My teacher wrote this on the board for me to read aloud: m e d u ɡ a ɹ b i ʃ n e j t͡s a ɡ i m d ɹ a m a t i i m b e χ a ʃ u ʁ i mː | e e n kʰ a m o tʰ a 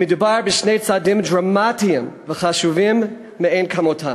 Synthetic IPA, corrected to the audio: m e d u b a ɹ b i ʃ n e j t͡s a d i m d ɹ a m a t i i m v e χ a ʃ u v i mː | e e n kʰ a m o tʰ a